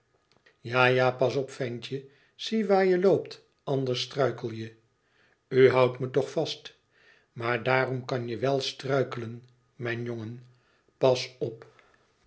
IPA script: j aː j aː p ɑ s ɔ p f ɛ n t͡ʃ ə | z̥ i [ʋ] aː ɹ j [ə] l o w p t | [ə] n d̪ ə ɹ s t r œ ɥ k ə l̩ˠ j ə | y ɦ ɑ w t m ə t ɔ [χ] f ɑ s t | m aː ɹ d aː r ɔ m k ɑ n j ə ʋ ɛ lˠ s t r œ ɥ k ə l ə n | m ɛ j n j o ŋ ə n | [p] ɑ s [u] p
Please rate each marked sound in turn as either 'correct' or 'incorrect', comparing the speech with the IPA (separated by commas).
correct, correct, incorrect, correct, correct, incorrect